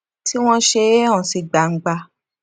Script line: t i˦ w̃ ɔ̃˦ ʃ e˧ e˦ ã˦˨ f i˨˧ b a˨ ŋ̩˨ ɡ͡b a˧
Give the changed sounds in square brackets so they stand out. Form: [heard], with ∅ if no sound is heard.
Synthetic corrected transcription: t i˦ w̃ ɔ̃˦ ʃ e˧ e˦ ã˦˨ [s] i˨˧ [ɡ͡b] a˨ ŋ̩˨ ɡ͡b a˧

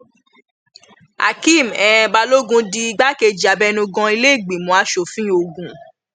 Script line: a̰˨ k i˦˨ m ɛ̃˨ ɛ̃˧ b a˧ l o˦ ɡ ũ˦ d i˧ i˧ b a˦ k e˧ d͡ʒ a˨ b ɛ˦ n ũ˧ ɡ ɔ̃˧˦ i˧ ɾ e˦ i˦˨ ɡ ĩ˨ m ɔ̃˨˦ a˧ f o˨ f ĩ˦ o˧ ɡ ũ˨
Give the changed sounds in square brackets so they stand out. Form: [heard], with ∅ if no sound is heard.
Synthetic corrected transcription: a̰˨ k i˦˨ m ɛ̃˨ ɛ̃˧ b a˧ l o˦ ɡ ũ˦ d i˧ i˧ [ɡ͡b] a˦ k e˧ d͡ʒ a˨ b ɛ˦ n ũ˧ ɡ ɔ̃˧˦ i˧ [l] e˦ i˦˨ [ɡ͡b] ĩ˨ m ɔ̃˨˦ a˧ [ʃ] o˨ f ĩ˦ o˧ ɡ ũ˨

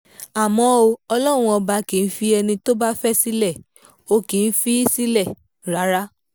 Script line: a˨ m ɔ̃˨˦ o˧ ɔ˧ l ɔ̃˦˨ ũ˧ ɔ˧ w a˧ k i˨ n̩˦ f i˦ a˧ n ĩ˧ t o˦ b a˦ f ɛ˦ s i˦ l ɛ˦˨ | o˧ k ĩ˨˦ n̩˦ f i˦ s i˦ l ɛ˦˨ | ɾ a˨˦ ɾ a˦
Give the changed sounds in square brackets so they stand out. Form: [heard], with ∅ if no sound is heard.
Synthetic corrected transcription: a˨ m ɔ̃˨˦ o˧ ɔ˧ l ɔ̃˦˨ ũ˧ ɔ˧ [b] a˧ k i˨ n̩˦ f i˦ [ɛ˧] n ĩ˧ t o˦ b a˦ f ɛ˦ s i˦ l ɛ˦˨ | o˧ k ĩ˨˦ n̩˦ f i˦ s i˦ l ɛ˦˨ | ɾ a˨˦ ɾ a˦

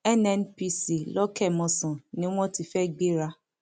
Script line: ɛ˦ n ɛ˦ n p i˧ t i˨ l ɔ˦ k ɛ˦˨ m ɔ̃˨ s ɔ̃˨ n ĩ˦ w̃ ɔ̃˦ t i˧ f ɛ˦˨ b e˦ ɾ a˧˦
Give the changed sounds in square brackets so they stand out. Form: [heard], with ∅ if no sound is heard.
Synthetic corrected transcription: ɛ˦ n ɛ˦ n p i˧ [s] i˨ l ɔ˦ k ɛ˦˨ m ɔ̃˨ s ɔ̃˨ n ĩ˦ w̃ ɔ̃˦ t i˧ f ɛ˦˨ [ɡ͡b] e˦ ɾ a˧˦

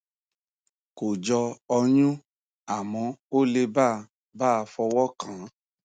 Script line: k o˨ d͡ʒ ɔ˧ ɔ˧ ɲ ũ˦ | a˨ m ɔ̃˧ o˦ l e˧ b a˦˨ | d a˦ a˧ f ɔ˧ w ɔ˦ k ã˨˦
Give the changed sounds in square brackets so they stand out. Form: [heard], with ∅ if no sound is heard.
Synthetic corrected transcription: k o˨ d͡ʒ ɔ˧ ɔ˧ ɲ ũ˦ | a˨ m ɔ̃˧ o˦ l e˧ b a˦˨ | [b] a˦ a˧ f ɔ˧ w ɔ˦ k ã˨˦

